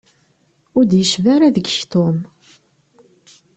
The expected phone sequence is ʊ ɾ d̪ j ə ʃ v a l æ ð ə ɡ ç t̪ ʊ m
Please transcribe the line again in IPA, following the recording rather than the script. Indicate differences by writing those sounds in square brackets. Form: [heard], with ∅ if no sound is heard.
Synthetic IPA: ʊ ɾ d̪ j ə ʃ v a [ɾ] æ ð ə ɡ ç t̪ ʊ m